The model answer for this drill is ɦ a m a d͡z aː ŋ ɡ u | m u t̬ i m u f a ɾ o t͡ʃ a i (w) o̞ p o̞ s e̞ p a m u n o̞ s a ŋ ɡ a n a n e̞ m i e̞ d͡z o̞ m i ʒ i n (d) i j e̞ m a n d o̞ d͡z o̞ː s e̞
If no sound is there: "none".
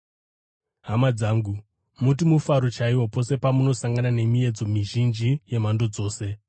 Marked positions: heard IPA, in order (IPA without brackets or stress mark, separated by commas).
w, d͡ʒ